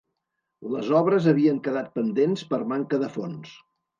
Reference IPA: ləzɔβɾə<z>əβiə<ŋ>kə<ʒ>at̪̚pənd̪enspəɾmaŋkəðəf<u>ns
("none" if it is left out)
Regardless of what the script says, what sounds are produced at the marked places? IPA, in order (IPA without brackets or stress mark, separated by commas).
z, ŋ, ð, o